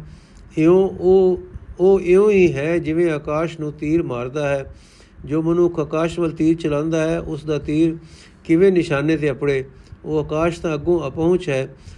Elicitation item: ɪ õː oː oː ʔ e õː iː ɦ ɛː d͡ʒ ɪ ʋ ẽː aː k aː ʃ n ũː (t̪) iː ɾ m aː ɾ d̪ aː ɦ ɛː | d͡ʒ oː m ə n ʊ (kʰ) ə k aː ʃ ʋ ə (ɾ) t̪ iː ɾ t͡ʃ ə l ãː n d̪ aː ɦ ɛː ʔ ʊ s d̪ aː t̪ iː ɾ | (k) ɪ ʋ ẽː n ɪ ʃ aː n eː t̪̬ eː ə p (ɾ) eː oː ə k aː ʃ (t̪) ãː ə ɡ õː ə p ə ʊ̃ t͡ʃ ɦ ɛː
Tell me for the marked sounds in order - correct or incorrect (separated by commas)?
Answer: correct, correct, incorrect, correct, incorrect, correct